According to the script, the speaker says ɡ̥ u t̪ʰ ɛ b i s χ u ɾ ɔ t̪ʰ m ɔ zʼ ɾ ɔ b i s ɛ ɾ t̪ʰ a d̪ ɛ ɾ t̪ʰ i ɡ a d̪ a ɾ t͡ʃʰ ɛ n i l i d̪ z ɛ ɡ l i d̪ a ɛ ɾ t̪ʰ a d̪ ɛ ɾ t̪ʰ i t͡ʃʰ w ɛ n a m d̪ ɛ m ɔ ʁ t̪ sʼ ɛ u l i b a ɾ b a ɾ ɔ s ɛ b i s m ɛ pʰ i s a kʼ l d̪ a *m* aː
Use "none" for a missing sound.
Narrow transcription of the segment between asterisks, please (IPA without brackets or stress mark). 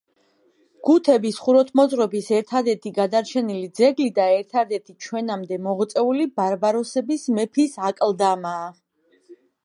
m